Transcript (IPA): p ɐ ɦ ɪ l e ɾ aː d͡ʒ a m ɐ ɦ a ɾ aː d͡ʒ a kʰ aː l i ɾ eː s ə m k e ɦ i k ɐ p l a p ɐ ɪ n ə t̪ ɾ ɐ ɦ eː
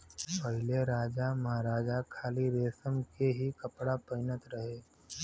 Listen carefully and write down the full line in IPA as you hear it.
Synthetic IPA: p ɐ ɦ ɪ l e ɾ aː d͡ʒ a m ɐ ɦ a ɾ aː d͡ʒ a kʰ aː l i ɾ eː s ə m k e ɦ i k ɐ p ɽ a p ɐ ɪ n ə t̪ ɾ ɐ ɦ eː